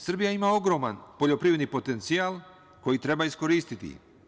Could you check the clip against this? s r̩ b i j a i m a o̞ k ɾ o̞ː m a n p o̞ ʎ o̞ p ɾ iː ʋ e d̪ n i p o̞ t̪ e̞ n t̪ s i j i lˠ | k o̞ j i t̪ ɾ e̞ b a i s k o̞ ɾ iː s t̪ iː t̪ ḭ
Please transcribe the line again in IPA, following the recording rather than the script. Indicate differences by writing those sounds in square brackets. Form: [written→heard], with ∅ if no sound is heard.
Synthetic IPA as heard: s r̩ b i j a i m a o̞ [k→ɡ] ɾ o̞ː m a n p o̞ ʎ o̞ p ɾ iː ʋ e d̪ n i p o̞ t̪ e̞ n t̪ s i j [i→a] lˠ | k o̞ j i t̪ ɾ e̞ b a i s k o̞ ɾ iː s t̪ [iː→i] t̪ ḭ